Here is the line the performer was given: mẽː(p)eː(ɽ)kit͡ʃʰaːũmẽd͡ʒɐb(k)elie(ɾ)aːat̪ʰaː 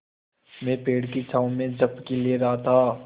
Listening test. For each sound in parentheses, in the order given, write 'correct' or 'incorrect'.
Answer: correct, correct, correct, correct

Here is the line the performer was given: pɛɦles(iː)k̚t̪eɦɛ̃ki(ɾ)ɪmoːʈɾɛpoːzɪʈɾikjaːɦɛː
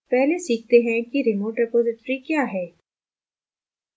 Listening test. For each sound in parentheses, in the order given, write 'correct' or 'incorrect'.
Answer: correct, correct

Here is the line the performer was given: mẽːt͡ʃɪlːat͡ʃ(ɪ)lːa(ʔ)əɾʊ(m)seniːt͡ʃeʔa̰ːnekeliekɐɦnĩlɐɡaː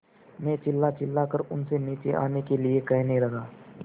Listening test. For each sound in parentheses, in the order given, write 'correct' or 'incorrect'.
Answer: correct, incorrect: k, incorrect: n

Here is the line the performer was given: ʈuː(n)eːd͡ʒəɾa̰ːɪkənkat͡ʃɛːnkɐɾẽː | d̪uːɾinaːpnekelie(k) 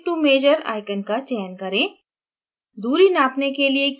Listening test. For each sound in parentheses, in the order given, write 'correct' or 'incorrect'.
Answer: incorrect: m, correct

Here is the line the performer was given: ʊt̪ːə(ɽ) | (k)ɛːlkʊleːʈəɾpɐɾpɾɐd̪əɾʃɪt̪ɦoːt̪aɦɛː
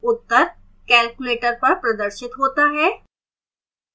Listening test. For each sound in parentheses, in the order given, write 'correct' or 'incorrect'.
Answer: incorrect: ɾ, correct

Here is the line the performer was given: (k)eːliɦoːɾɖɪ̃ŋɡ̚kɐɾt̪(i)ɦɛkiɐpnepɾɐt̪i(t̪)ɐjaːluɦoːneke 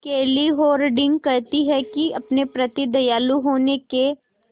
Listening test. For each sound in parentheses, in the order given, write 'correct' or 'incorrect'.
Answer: correct, correct, incorrect: d̪

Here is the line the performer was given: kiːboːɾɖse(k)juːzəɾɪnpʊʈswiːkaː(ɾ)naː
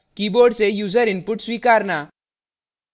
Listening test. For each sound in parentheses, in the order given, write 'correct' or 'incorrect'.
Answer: incorrect: none, correct

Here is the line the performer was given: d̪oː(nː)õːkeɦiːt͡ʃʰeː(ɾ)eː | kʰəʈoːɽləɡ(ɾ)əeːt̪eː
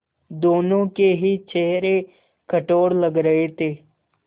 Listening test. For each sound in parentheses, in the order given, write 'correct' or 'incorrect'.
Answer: incorrect: n, correct, correct

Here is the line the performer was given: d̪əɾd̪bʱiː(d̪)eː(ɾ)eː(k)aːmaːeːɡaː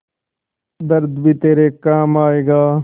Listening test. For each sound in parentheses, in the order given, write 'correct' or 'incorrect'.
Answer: incorrect: t̪, correct, correct

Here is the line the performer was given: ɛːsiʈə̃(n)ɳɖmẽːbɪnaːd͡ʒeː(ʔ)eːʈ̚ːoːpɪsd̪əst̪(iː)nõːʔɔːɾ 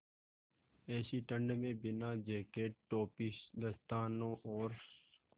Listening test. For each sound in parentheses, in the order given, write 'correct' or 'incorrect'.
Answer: incorrect: none, incorrect: k, incorrect: aː

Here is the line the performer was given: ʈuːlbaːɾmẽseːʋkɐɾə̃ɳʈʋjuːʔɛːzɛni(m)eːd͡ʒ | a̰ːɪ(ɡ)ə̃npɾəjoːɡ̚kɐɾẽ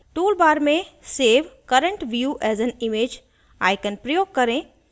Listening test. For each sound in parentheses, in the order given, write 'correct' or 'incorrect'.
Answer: correct, incorrect: k

